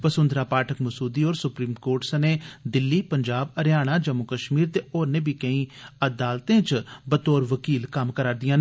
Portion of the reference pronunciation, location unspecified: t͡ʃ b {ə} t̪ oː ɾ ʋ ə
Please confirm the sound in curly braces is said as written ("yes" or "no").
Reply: yes